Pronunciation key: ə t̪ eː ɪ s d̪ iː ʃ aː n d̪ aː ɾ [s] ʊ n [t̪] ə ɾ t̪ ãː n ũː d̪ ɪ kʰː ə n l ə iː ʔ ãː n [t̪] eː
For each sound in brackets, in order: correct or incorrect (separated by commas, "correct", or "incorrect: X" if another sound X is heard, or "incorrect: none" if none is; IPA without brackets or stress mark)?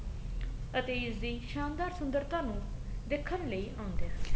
correct, incorrect: d̪, incorrect: d̪